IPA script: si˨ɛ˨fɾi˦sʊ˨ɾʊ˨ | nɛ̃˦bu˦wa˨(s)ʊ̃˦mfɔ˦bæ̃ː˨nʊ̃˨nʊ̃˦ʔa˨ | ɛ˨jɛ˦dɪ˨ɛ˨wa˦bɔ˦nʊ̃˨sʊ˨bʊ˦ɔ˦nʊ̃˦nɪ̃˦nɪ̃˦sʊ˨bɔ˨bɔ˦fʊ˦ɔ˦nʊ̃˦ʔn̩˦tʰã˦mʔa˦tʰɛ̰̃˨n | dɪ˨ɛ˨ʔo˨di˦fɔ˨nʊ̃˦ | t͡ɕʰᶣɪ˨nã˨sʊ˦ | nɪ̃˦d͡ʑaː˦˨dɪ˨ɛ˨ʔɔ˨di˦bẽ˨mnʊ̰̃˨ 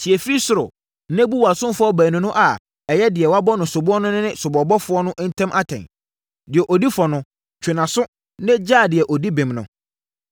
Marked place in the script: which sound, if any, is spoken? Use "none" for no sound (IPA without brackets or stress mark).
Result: s